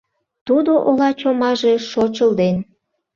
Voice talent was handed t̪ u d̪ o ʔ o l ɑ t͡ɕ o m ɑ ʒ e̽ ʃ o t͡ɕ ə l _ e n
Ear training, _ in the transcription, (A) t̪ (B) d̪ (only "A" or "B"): B